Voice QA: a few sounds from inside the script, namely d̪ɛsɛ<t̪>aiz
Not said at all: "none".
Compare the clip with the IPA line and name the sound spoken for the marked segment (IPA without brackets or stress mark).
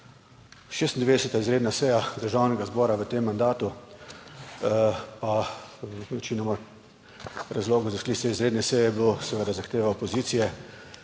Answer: t̪